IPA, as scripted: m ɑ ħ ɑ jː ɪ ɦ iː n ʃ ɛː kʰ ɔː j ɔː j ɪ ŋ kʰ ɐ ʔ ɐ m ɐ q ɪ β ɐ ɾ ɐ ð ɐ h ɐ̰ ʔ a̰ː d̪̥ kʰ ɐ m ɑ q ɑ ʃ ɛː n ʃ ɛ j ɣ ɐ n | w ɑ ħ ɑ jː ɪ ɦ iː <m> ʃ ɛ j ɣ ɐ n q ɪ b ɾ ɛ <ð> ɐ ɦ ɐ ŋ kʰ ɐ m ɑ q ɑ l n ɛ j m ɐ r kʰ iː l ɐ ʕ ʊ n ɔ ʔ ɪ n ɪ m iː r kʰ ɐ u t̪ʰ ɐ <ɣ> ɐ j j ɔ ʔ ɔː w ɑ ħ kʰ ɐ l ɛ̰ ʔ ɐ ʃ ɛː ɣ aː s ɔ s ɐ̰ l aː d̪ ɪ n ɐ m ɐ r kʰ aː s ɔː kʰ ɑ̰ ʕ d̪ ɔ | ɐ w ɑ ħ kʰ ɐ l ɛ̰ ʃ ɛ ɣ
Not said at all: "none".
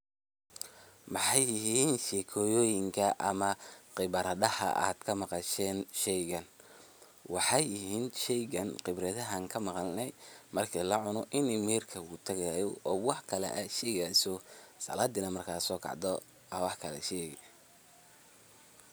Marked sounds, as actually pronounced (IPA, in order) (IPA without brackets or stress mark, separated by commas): n, ð, ɣ